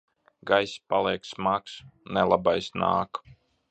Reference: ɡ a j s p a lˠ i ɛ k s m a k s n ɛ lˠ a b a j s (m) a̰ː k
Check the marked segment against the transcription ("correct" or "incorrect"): incorrect